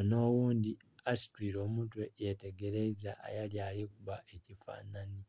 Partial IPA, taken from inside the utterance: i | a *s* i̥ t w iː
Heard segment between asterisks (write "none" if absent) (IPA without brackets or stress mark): s